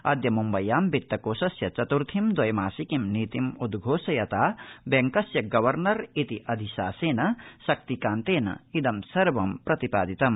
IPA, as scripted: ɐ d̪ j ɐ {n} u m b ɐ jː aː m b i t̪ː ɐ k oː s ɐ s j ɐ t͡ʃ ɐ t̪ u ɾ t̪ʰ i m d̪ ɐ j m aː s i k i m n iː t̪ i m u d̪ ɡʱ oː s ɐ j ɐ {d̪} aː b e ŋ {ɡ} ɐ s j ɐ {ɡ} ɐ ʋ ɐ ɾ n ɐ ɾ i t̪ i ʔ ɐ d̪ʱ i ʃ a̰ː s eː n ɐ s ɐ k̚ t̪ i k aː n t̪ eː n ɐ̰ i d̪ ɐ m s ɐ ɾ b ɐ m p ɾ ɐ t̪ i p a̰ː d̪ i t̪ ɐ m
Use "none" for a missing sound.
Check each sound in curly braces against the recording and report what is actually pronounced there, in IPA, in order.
m, t̪, k, ɡ

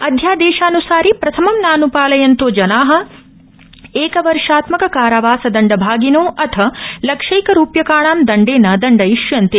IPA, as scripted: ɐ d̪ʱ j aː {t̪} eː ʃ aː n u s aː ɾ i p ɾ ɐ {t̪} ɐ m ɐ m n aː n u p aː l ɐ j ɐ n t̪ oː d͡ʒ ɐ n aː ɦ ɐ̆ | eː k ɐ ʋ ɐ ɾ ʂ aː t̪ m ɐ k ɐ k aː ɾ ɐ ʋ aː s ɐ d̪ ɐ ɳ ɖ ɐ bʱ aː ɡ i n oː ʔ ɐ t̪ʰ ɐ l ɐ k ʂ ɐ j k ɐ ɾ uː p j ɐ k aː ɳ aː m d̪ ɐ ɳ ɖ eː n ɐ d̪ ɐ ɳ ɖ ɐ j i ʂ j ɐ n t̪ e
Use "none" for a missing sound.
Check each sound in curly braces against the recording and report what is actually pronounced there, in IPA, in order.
d̪, t̪ʰ

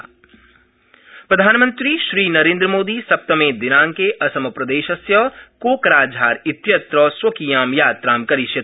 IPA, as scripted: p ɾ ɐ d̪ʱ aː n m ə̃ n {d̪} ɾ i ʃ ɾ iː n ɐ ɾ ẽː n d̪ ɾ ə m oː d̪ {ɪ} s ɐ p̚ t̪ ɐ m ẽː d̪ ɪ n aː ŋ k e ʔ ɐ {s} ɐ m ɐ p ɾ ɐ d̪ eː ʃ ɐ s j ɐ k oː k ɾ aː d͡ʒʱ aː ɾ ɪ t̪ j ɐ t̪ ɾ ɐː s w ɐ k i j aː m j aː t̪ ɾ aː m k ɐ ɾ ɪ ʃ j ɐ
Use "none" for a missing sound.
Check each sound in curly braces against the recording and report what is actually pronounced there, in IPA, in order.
t̪, i, s

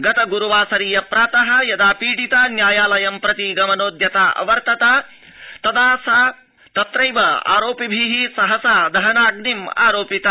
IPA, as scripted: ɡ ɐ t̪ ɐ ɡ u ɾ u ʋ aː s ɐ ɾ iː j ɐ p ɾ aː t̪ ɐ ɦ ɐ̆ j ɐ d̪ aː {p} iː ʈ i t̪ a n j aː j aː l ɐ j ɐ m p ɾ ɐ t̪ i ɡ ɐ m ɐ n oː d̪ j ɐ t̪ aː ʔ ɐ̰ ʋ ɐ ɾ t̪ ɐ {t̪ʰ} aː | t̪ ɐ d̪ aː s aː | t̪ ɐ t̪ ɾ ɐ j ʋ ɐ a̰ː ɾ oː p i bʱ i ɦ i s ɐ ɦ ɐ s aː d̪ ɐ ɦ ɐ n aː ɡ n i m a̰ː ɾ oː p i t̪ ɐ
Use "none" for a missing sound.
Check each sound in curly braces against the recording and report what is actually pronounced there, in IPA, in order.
p, t̪

